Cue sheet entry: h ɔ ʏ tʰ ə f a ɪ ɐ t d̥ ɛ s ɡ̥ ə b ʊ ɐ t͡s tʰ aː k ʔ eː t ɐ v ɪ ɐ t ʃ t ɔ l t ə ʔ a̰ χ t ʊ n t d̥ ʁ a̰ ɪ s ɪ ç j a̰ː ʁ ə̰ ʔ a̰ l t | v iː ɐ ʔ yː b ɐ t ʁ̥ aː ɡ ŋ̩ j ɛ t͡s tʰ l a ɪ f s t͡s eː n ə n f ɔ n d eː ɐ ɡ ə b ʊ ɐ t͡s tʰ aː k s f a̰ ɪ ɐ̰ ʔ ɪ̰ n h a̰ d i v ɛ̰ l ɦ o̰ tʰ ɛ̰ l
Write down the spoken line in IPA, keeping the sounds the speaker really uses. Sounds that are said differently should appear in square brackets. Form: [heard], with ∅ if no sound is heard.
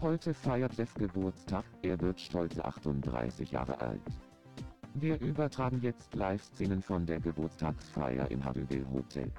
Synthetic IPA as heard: h ɔ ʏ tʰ ə f a ɪ ɐ t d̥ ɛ s ɡ̥ ə b ʊ ɐ t͡s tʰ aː k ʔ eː [∅] ɐ v ɪ ɐ t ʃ t ɔ l [t͡s] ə ʔ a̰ χ t ʊ n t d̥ ʁ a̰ ɪ s ɪ ç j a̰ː ʁ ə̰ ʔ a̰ l t | v iː ɐ ʔ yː b ɐ t ʁ̥ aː ɡ ŋ̩ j ɛ t͡s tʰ l a ɪ f s t͡s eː n ə n f ɔ n d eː ɐ ɡ ə b ʊ ɐ t͡s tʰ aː k s f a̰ ɪ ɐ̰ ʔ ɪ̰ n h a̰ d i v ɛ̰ l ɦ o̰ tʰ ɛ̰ l